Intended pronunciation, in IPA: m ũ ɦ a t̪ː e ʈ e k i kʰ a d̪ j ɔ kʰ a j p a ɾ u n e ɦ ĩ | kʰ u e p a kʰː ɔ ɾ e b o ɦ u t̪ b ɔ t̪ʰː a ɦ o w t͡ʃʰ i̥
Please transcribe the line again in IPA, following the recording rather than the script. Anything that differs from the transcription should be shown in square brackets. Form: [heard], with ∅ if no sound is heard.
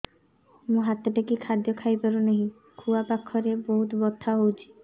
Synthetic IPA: m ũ ɦ a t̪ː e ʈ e k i kʰ a d̪ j ɔ kʰ a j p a ɾ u n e ɦ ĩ | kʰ u [a] p a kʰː ɔ ɾ e b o ɦ u t̪ b ɔ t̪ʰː a ɦ o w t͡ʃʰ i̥